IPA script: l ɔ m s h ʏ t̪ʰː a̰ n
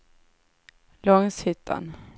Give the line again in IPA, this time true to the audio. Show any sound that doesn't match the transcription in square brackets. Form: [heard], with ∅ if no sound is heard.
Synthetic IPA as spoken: l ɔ [ŋ] s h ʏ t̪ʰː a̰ n